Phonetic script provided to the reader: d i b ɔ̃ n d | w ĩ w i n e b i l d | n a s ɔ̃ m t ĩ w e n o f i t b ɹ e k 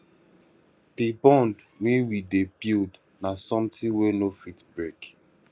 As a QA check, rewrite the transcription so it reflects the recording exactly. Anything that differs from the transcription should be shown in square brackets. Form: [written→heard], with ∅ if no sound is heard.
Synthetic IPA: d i b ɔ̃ n d | w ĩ w i [n→d] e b i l d | n a s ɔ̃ m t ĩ w e n o f i t b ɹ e k

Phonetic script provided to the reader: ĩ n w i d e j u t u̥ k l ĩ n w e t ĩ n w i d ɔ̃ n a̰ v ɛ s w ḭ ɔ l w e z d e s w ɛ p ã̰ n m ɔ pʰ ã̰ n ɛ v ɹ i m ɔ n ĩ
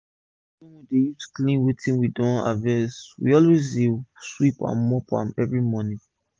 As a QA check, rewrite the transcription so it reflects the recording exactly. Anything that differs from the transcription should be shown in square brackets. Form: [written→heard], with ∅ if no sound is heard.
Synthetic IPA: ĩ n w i d e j u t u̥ k l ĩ n w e t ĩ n w i d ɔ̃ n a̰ v ɛ s w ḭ ɔ l w e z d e s w [ɛ→i] p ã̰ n m ɔ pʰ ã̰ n ɛ v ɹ i m ɔ n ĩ

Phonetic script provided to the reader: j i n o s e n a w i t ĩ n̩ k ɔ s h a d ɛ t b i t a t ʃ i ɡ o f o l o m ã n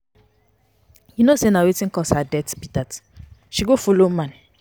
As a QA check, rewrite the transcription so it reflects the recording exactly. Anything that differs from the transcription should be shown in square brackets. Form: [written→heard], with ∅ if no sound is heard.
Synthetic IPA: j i n o s e n a w [i→e] t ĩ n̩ k ɔ s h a d ɛ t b i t a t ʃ i ɡ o f o l o m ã n

